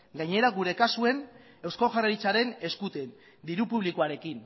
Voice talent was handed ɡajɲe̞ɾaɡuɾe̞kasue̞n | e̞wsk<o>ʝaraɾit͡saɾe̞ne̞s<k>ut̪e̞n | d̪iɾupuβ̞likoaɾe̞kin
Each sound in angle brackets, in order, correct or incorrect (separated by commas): correct, correct